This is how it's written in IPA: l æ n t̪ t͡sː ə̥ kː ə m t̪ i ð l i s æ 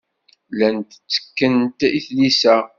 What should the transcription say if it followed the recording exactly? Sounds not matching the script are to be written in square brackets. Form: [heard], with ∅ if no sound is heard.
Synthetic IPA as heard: l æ n t̪ t͡sː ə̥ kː ə [n] t̪ i [θ] l i s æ